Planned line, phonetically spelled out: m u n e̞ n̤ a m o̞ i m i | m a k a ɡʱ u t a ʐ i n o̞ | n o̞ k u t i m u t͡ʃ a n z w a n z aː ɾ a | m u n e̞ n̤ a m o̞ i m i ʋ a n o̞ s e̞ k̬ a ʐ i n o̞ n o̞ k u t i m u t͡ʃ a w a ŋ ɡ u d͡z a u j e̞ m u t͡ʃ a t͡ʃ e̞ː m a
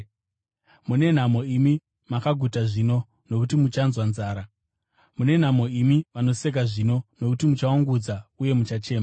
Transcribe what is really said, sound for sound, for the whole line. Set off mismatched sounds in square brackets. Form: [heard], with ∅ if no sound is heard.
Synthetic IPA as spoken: m u n e̞ n̤ a m o̞ i m i | m a k a ɡʱ u t a ʐ i n o̞ | n o̞ k u t i m u t͡ʃ a n z w a n z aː ɾ a | m u n e̞ n̤ a m o̞ i m i ʋ a n o̞ s e̞ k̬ a ʐ i n o̞ n o̞ k u t i m u t͡ʃ a w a ŋ ɡ u d͡z a u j e̞ m u t͡ʃ a t͡ʃ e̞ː m a